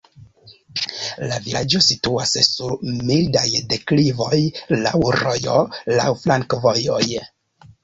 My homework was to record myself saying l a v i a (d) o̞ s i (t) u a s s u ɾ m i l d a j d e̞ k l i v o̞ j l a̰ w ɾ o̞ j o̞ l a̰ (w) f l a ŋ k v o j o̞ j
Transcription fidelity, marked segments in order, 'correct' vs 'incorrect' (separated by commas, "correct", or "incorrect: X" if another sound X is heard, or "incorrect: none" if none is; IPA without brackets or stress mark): incorrect: d͡ʒ, correct, correct